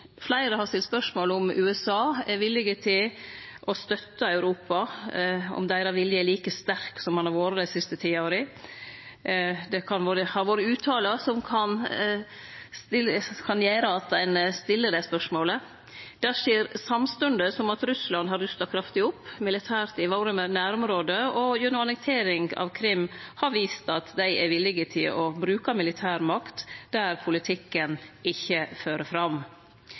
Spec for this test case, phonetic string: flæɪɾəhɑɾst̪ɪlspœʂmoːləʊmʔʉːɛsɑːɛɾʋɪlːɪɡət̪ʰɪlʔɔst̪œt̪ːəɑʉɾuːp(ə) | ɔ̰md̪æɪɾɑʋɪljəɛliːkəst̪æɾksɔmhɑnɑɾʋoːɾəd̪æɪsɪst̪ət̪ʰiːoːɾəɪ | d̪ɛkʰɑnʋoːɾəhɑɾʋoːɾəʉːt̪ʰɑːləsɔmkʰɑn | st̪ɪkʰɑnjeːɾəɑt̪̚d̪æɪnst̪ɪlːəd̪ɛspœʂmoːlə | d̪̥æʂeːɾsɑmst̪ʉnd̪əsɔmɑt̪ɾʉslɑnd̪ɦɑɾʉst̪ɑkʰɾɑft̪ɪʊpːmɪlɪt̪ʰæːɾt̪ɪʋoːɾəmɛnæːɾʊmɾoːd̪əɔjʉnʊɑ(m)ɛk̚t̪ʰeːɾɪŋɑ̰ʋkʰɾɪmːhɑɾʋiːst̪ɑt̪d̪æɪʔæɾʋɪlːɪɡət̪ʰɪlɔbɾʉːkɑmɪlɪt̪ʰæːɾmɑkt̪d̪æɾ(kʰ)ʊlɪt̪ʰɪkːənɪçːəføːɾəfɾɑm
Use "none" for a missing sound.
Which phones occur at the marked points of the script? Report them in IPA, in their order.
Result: ɑ, n, pʰ

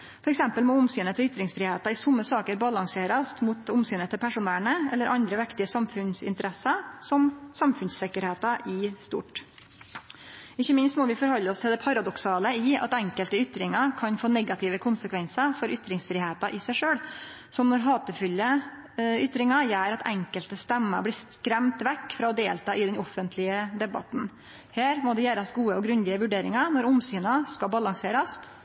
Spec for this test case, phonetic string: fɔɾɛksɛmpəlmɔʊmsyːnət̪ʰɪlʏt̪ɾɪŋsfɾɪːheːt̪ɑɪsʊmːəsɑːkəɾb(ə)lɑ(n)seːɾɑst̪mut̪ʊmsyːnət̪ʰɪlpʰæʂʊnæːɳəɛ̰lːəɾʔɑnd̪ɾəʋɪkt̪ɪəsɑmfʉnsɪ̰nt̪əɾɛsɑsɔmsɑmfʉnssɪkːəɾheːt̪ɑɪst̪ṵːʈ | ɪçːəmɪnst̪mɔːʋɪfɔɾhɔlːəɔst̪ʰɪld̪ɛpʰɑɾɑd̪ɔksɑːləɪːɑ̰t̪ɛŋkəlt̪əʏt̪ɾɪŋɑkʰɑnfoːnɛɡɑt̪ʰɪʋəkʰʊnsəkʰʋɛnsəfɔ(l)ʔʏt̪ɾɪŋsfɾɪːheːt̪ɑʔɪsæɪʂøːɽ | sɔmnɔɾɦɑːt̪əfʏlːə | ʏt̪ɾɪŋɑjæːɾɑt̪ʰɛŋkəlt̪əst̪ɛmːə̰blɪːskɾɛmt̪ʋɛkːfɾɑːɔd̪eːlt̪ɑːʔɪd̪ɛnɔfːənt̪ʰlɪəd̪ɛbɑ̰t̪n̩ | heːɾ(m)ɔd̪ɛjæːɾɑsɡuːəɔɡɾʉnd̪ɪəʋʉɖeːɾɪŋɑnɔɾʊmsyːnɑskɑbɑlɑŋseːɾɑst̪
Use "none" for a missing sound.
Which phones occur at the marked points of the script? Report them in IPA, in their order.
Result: ɑ, ŋ, ɾ, m

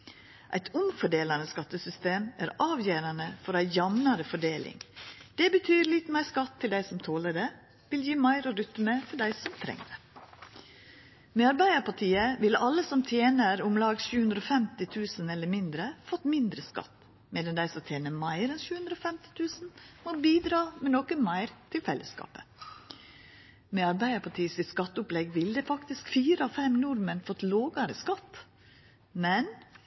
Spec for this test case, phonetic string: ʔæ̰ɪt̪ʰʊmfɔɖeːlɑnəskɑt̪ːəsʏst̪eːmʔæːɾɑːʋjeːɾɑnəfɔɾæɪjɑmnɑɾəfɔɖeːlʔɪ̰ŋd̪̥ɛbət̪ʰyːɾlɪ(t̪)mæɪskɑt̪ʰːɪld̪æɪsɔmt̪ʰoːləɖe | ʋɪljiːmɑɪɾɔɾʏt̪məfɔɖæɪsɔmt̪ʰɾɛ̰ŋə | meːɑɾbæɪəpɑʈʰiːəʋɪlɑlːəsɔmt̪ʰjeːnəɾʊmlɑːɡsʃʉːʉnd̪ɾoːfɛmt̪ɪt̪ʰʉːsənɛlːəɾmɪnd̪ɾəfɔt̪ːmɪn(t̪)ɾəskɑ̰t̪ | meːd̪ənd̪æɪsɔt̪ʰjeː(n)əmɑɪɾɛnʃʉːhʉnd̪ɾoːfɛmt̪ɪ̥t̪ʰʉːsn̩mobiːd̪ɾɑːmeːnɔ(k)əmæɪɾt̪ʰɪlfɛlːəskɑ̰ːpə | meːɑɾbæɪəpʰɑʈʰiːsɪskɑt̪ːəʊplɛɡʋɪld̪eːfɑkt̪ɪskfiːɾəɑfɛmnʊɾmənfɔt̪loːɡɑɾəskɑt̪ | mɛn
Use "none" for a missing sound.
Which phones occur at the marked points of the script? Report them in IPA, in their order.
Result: t̪, d̪, n, k

